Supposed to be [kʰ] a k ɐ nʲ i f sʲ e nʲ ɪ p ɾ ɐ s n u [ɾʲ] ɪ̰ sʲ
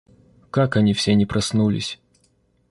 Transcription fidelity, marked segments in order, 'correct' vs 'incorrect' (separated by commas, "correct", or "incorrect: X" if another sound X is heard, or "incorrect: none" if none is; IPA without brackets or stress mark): incorrect: k, incorrect: lʲ